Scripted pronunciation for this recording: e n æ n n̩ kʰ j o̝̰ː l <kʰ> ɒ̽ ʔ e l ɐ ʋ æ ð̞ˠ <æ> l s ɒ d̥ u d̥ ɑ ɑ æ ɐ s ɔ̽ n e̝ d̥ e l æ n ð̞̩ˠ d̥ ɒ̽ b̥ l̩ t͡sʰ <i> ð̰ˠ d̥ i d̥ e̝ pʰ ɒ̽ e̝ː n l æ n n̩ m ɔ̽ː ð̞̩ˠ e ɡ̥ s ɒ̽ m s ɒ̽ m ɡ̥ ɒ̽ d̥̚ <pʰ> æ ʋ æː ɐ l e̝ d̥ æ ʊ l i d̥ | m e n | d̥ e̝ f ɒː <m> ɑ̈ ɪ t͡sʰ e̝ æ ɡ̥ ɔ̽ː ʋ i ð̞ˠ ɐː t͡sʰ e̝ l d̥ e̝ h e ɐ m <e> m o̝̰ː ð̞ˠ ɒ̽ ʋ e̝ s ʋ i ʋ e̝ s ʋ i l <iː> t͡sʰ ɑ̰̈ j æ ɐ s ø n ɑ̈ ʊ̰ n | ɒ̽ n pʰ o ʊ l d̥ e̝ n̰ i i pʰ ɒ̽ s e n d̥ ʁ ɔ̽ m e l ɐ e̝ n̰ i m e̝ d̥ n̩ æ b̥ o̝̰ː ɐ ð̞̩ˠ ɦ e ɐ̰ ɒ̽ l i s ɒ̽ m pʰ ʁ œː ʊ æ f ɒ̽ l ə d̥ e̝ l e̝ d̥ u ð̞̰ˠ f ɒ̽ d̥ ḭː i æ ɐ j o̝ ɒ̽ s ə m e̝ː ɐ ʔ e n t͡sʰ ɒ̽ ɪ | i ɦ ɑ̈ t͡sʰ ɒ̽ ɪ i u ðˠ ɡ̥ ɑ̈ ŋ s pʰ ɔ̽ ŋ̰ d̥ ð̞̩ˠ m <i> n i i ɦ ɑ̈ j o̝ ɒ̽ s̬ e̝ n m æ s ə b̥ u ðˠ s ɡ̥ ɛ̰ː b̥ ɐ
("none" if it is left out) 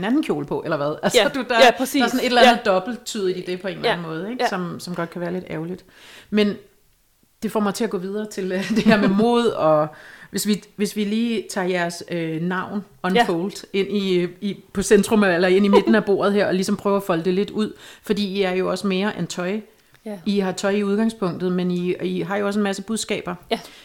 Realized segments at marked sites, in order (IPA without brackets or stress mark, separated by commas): pʰ, æ, y, kʰ, m, e, iː, e